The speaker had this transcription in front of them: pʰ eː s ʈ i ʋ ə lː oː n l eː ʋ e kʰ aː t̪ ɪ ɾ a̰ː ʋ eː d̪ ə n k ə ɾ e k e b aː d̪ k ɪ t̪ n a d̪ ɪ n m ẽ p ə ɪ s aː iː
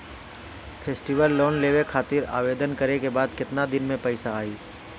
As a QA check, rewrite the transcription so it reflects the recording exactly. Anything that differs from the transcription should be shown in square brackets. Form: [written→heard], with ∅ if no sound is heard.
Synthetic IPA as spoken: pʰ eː s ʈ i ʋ ə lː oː n l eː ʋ e kʰ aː t̪ ɪ ɾ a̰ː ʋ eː d̪ ə n k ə ɾ e k e b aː d̪ k ɪ t̪ n a d̪ ɪ n m ẽ p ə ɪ s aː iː